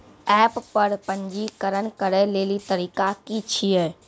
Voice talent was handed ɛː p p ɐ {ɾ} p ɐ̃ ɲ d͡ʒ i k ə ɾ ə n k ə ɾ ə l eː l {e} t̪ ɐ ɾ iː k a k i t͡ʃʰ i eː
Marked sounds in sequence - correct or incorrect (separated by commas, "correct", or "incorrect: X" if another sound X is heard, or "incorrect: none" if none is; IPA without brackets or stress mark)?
correct, incorrect: i